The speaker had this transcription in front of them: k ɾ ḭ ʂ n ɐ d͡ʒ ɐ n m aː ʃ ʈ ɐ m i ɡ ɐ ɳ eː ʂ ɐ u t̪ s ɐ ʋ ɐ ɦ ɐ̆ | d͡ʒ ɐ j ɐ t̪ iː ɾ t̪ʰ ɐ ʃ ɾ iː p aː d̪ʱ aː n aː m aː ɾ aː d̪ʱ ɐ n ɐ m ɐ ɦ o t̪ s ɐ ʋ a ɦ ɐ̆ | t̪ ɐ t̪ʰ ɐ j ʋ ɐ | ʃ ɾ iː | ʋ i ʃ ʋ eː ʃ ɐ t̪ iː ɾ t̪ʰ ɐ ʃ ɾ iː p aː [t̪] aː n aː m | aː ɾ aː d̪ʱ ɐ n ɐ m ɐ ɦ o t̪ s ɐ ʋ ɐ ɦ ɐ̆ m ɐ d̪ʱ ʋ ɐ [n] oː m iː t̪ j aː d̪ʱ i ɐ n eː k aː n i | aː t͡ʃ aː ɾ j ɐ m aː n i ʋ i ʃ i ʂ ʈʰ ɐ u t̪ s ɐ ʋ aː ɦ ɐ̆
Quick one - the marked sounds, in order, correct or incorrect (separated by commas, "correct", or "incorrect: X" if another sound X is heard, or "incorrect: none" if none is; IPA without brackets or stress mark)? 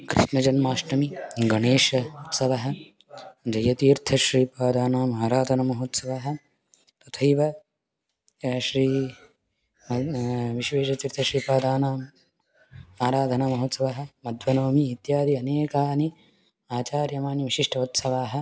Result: incorrect: d̪, correct